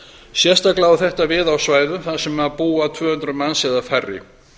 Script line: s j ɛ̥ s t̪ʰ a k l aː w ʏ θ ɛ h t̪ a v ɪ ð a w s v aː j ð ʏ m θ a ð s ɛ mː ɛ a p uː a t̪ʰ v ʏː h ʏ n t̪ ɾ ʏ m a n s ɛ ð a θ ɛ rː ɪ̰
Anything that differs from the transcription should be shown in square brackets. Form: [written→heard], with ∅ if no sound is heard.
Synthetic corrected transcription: s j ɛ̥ s [t̪ʰ→t̪] a k l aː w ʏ θ ɛ h t̪ a v ɪ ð a w s v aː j ð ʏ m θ a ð s ɛ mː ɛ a p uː a t̪ʰ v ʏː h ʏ n t̪ ɾ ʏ m a n s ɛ ð a [θ→f] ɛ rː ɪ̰

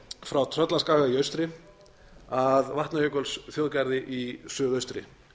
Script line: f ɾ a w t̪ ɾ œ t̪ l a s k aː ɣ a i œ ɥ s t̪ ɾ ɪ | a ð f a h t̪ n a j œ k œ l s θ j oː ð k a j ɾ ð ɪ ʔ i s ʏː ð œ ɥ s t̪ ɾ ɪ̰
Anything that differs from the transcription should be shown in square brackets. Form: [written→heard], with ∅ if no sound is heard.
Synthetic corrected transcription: f ɾ a w [t̪→t̪ʰ] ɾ œ t̪ l a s k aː ɣ a i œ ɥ s t̪ ɾ ɪ | a ð [f→v] a h t̪ n a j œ k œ l s θ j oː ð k a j ɾ ð ɪ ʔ i s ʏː ð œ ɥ s t̪ ɾ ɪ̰

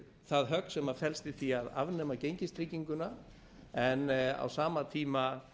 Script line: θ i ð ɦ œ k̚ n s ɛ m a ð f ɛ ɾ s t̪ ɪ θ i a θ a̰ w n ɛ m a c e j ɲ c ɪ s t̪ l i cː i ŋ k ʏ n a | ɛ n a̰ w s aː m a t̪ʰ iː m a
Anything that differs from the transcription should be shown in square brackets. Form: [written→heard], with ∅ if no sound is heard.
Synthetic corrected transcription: θ [i→a] ð ɦ œ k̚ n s ɛ m a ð f ɛ [ɾ→l] s t̪ ɪ θ i a [θ→ð] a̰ [w→v] n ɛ m a c e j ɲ c ɪ s t̪ [l→ɾ] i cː i ŋ k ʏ n a | ɛ n a̰ w s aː m a t̪ʰ iː m a

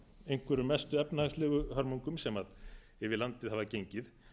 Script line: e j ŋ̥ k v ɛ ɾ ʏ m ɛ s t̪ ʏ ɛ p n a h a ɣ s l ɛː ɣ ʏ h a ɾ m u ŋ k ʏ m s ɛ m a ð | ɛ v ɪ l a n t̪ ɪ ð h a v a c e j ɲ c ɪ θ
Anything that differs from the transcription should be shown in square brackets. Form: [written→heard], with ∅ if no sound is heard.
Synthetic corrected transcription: e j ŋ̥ k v ɛ ɾ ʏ m ɛ s t̪ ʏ ɛ p n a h a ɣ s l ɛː ɣ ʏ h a ɾ m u ŋ k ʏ m s ɛ m a ð | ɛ v ɪ l a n t̪ ɪ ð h a v a c e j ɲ c ɪ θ

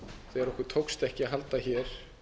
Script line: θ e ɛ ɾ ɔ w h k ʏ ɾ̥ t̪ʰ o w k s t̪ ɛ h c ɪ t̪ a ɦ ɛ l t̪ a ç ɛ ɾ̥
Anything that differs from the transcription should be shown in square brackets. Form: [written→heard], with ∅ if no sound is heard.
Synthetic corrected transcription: θ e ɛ ɾ ɔ [w→∅] h k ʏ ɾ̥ t̪ʰ o w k s t̪ ɛ h c ɪ [t̪→∅] a ɦ [ɛ→a] l t̪ a ç ɛ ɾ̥

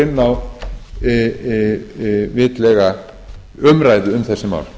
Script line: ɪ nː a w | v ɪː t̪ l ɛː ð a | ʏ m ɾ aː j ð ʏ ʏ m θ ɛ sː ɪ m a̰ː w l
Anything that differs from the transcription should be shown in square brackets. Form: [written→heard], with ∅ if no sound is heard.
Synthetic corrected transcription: ɪ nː a w | v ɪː t̪ l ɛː [ð→ɣ] a | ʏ m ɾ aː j ð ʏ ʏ m θ ɛ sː ɪ m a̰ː w l

